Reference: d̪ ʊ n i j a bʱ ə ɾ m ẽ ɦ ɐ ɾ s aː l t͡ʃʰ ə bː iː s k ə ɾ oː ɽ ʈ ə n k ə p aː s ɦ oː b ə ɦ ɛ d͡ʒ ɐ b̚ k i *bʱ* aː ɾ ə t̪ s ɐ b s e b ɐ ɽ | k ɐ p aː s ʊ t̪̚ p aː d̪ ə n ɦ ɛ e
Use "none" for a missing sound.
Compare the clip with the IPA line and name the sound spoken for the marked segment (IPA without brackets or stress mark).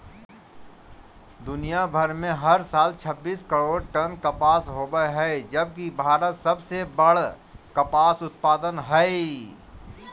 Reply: bʱ